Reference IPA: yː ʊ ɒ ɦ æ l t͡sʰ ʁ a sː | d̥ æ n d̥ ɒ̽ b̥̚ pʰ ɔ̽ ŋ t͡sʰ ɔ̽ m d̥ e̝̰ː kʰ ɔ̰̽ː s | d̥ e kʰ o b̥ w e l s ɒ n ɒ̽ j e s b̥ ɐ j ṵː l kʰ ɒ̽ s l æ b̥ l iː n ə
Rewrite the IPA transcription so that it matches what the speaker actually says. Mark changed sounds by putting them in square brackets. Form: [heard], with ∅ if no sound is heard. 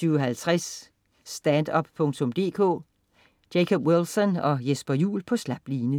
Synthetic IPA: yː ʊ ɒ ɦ æ l t͡sʰ ʁ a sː | d̥ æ n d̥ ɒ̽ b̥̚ pʰ ɔ̽ ŋ t͡sʰ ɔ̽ m d̥ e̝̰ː kʰ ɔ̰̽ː [∅] | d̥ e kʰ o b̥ w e l s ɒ n ɒ̽ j e s b̥ ɐ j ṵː l [pʰ] ɒ̽ s l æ b̥ l iː n ə